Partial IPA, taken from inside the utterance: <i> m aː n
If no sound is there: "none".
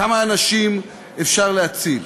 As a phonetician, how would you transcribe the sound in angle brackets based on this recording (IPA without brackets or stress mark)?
a